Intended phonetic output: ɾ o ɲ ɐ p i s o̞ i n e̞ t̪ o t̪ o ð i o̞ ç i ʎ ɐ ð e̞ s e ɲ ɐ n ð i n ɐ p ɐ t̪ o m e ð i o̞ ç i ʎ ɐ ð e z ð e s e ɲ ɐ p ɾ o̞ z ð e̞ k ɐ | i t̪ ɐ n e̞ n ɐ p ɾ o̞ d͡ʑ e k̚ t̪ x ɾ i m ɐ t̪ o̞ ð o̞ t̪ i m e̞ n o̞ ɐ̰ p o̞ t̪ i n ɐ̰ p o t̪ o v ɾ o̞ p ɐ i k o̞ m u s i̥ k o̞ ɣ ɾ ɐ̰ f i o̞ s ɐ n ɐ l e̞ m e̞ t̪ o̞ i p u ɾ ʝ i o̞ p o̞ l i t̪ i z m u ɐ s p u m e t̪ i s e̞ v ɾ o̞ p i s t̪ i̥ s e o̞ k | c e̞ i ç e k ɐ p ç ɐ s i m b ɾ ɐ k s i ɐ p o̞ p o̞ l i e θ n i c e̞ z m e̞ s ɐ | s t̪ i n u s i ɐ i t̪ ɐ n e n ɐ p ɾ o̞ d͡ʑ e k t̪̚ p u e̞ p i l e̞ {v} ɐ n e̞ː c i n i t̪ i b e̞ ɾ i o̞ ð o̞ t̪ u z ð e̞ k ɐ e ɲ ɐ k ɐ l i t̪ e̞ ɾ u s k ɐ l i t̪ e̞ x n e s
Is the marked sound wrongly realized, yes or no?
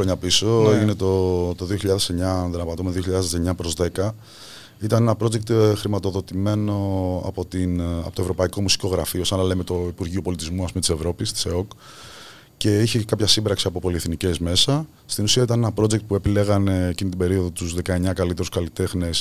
yes